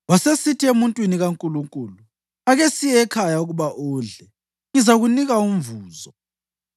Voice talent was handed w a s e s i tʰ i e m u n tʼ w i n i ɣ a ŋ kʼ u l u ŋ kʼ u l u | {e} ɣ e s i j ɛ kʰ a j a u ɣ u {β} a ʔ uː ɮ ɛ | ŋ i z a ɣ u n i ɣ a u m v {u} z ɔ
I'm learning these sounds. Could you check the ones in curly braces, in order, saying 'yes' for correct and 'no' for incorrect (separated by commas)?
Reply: no, yes, no